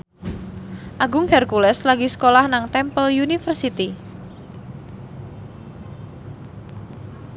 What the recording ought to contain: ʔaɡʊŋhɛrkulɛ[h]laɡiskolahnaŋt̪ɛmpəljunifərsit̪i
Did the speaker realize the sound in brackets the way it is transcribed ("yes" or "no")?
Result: no